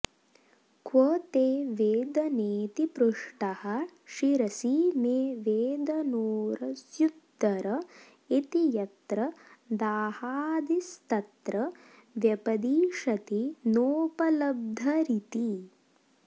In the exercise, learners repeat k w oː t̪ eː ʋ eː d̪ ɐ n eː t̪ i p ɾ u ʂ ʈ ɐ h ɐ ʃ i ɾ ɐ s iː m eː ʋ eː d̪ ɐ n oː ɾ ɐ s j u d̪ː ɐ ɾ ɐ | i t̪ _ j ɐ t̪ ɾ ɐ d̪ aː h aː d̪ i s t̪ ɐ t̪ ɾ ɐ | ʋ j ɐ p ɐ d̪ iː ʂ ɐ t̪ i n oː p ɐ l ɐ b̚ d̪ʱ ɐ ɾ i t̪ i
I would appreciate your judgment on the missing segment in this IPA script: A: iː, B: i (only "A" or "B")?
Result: B